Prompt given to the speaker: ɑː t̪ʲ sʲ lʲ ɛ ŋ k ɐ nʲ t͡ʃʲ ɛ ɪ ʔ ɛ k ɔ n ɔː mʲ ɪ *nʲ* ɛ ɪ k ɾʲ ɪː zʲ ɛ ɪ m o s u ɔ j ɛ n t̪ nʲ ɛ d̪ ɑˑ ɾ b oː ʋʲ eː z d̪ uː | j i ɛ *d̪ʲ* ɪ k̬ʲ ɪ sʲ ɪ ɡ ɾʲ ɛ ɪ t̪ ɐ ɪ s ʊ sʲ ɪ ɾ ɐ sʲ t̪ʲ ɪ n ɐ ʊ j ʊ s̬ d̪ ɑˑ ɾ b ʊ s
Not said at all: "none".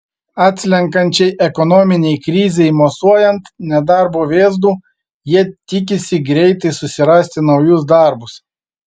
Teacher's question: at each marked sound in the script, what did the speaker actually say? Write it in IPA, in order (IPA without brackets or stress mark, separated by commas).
nʲ, t̪ʲ